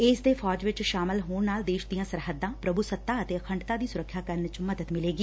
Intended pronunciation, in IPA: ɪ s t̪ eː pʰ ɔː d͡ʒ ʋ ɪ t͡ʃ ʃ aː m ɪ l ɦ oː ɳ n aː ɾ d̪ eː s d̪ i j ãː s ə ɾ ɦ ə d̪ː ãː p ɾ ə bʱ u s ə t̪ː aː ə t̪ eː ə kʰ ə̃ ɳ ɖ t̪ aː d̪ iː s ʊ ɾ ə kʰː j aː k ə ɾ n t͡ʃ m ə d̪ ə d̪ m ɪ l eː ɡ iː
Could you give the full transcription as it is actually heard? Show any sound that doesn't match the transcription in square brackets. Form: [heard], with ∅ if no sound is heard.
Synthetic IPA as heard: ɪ s [d̪] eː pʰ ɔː d͡ʒ ʋ ɪ t͡ʃ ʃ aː m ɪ l ɦ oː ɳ n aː [l] d̪ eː [ʃ] d̪ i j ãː s ə ɾ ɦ ə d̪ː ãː p ɾ ə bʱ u s ə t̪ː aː ə t̪ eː ə kʰ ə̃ ɳ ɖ t̪ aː d̪ iː s ʊ ɾ ə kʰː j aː k ə ɾ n t͡ʃ m ə d̪ ə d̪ m ɪ l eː ɡ iː